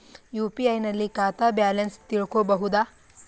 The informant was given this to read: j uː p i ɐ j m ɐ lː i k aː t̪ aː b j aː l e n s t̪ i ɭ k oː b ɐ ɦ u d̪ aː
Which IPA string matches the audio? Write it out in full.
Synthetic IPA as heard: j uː p i ɐ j n ɐ lː i k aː t̪ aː b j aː l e n s t̪ i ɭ k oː b ɐ ɦ u d̪ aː